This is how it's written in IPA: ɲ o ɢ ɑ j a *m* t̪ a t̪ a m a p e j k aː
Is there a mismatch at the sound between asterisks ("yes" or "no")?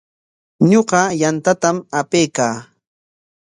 yes